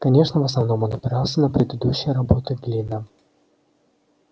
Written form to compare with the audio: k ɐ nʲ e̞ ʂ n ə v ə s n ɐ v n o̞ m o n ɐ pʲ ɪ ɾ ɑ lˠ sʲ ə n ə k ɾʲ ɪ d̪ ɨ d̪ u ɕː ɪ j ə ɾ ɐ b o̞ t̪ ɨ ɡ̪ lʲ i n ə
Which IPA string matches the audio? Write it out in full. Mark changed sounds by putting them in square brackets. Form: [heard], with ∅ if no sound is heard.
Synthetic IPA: k ɐ nʲ e̞ ʂ n ə v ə s n ɐ v n o̞ m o n ɐ pʲ ɪ ɾ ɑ lˠ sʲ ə n ə [p] ɾʲ ɪ d̪ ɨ d̪ u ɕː ɪ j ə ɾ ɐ b o̞ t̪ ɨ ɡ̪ lʲ i n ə